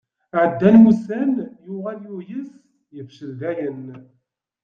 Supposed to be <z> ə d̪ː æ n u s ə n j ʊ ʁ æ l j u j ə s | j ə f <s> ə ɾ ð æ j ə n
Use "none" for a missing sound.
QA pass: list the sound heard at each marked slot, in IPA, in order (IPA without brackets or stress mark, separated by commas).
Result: ʕ, ʃ